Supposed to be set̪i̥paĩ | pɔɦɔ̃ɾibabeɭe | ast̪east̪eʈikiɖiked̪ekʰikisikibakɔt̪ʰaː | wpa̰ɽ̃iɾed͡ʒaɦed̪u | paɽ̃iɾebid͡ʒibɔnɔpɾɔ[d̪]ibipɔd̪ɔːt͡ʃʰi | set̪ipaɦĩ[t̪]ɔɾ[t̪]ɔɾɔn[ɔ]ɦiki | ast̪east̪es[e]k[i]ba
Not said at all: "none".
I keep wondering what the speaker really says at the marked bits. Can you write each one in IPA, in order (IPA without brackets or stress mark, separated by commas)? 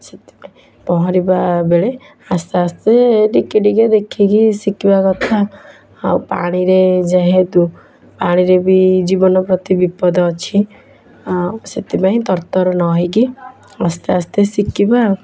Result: t̪, t̪, t̪, ɔ, i, i